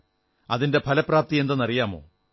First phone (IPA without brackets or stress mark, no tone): ɐ